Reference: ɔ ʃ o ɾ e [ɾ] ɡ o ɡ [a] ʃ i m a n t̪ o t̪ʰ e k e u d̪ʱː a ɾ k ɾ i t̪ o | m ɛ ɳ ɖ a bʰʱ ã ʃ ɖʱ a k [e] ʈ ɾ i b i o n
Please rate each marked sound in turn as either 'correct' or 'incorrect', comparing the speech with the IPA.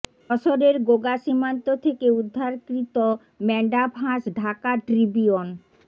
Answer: correct, correct, incorrect: a

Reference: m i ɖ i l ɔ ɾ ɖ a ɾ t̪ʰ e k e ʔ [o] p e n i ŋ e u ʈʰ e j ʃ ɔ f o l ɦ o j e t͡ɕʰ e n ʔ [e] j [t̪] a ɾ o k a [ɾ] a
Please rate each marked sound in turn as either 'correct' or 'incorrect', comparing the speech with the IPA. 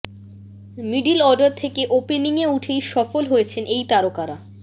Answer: correct, correct, correct, correct

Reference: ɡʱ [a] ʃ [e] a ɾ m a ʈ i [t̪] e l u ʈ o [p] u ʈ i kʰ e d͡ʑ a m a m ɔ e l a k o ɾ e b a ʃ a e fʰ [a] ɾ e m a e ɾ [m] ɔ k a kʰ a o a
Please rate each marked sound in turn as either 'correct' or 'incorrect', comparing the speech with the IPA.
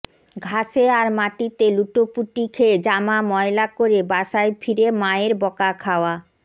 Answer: correct, correct, correct, correct, incorrect: i, incorrect: b

